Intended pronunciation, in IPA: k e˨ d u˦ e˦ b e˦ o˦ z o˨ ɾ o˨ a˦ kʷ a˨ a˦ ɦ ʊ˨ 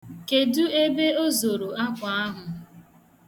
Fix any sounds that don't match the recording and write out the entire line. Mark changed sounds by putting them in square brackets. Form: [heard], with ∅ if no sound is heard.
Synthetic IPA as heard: k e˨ d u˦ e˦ b e˦ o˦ z o˨ ɾ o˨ a˦ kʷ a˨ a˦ ɦ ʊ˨

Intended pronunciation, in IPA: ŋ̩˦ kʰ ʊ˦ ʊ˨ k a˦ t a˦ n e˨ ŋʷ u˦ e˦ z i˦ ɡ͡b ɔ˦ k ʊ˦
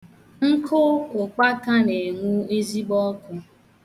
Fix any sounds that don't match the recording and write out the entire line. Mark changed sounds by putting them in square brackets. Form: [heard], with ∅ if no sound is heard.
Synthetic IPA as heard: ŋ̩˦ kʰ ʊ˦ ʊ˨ [k͡p] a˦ [k] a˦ n e˨ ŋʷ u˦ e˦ z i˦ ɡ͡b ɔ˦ k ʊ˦

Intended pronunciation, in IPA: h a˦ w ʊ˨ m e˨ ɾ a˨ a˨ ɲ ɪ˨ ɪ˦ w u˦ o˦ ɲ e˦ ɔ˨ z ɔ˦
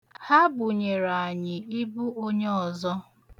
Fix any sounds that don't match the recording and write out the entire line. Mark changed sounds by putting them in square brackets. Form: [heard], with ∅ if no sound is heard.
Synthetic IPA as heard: h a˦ [b] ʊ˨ [ɲ] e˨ ɾ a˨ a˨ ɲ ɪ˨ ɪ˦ [b] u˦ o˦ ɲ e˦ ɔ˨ z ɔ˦

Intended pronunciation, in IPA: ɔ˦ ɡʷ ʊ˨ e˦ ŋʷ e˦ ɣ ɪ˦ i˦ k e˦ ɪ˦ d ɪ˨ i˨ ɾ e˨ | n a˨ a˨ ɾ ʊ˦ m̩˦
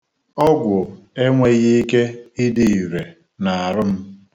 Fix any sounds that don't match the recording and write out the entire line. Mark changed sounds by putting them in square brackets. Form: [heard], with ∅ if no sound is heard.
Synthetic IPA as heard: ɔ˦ ɡʷ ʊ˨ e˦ ŋʷ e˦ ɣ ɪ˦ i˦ k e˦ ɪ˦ d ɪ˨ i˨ ɾ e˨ | n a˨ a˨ ɾ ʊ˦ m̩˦

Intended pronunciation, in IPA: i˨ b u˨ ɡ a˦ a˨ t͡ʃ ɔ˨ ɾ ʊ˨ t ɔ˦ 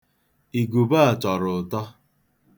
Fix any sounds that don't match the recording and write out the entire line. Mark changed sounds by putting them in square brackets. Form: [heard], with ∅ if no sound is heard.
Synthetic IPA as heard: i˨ [ɡ] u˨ [b] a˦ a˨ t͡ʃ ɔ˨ ɾ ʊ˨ t ɔ˦

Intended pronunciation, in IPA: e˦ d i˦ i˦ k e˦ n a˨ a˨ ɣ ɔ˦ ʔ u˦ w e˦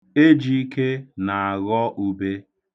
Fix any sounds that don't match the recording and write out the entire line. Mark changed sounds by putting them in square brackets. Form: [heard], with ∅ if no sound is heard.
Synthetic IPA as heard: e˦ [d͡ʒ] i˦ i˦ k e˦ n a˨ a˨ ɣ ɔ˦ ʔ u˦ [b] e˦

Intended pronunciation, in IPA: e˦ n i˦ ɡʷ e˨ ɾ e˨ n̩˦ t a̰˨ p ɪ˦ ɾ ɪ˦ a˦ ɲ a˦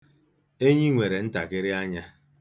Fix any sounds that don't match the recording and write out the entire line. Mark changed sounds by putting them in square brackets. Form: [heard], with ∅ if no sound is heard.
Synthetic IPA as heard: e˦ [ɲ] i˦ [ŋʷ] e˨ ɾ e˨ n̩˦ t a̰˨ [k] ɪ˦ ɾ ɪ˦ a˦ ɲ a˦

